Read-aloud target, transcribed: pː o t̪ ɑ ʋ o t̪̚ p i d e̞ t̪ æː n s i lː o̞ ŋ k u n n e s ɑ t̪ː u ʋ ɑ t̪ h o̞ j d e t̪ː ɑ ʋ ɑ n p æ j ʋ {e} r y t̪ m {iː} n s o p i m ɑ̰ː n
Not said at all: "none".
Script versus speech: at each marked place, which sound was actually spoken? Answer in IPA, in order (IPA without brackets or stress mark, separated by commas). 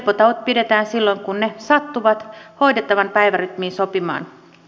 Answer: æ, iː